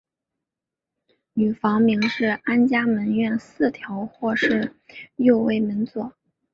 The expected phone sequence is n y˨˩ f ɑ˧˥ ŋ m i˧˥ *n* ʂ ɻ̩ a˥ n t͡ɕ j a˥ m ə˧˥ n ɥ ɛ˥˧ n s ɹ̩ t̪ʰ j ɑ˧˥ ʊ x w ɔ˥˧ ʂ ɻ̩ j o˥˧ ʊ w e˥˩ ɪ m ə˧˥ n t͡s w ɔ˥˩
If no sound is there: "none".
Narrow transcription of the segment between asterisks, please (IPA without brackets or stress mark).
ŋ